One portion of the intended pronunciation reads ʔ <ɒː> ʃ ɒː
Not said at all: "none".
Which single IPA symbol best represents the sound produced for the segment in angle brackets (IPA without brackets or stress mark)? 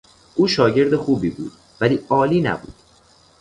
uː